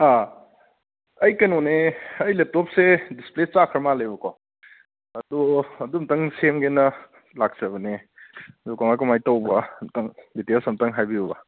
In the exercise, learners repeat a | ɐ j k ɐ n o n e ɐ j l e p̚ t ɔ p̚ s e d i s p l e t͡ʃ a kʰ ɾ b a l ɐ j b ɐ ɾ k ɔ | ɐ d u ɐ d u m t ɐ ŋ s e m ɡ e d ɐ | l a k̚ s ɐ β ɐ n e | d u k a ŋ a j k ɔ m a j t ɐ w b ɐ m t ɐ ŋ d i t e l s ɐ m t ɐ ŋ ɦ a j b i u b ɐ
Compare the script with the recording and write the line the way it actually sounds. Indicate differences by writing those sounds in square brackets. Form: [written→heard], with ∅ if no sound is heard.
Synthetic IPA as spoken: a | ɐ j k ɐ n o n e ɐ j l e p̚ t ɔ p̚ s e d i s p l e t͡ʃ a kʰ ɾ [b→m] a l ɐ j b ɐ [ɾ→∅] k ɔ | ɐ d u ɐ d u m t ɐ ŋ s e m ɡ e [d→n] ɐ | l a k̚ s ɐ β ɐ n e | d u k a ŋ a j k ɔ m a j t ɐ w b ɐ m t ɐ ŋ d i t e l s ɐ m t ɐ ŋ ɦ a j b i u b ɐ